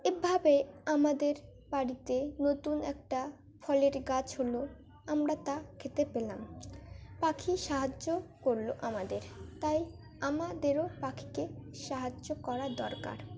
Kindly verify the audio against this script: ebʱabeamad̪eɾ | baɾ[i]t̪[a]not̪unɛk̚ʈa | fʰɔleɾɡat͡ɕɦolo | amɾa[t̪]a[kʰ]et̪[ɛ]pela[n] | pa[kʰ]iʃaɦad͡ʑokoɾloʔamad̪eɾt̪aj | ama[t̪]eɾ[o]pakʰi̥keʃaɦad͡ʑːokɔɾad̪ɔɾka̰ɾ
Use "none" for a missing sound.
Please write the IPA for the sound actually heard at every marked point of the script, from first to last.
i, e, t̪, kʰ, e, m, kʰ, d̪, o

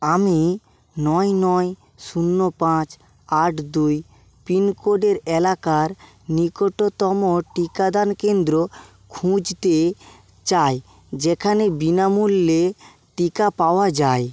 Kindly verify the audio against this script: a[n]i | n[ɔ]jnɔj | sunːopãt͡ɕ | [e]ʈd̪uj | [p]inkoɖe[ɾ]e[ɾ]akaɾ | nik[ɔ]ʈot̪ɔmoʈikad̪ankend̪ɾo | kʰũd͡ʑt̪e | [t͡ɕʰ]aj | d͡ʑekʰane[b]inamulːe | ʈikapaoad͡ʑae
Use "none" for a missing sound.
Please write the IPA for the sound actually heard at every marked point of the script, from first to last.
m, ɔ, a, p, ɾ, l, o, t͡ɕ, b

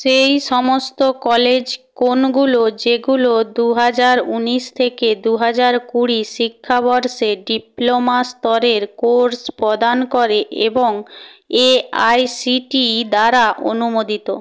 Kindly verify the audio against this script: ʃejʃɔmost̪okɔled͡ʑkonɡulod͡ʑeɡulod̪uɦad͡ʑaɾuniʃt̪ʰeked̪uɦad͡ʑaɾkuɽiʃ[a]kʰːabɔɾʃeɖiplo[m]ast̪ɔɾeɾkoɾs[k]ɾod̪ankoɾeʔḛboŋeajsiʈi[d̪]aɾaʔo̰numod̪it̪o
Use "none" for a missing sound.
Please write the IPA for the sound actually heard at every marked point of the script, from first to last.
i, m, p, d̪

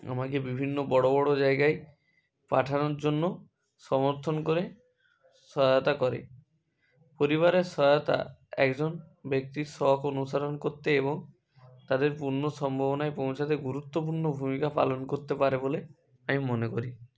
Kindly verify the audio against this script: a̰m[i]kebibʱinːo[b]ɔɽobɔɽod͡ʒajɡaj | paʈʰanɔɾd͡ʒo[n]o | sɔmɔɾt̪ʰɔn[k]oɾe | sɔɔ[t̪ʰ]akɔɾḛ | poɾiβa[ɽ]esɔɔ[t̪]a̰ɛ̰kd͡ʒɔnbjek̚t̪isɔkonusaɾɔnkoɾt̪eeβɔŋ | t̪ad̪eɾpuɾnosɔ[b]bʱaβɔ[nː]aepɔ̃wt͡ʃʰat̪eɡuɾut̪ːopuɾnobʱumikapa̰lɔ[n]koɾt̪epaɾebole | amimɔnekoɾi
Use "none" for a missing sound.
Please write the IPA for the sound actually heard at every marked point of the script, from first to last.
a, b, nː, k, t̪, ɾ, t̪, m, n, n

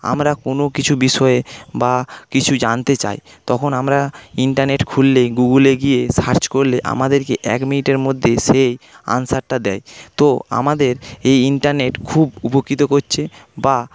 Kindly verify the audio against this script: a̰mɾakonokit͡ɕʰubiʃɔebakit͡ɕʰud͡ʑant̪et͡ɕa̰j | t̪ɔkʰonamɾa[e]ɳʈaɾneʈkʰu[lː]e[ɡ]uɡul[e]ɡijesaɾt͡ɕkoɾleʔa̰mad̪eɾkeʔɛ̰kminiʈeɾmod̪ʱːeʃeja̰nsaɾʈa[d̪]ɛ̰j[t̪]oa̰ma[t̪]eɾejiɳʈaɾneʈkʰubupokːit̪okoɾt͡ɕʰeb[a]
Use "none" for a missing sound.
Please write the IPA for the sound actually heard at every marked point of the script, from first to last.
i, lː, ɡ, e, d̪, t̪, d̪, a

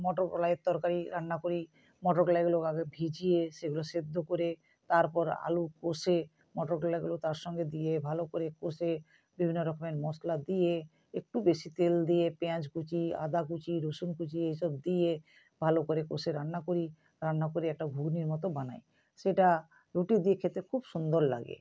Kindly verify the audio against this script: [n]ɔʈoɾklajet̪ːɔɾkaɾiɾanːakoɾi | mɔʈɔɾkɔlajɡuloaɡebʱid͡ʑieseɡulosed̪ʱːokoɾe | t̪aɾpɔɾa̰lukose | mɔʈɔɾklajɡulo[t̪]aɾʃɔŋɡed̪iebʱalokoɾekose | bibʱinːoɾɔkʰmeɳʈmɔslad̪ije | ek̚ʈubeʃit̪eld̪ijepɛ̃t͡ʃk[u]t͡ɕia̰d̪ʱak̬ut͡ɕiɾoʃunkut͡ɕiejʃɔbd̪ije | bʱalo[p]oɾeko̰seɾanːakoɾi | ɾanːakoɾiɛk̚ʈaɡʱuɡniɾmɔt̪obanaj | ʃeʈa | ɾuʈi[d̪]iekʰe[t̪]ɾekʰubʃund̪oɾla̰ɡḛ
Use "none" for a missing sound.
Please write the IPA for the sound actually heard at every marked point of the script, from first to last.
m, t̪, u, k, d̪, t̪

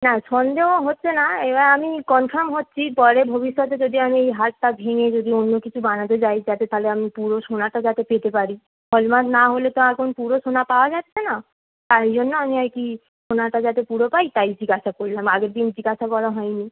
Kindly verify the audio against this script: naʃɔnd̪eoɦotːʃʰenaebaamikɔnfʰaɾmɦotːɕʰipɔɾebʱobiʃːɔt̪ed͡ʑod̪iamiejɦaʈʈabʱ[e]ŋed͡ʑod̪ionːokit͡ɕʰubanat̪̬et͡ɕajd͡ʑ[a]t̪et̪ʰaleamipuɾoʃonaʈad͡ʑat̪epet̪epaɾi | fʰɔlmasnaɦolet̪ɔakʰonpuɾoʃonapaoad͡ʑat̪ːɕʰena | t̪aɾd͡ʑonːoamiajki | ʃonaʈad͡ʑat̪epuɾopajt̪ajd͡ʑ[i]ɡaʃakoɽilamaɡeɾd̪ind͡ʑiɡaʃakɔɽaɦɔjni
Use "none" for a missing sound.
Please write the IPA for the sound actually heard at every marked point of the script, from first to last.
e, a, i

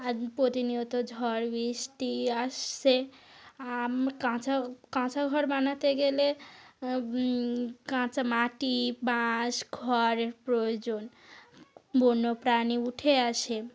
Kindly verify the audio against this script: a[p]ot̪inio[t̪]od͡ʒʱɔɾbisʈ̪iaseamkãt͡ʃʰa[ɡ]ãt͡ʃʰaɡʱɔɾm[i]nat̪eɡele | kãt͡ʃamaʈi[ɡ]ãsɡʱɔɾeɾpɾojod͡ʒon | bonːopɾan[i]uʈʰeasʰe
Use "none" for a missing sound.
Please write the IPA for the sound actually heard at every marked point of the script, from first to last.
p, t̪, k, a, b, i

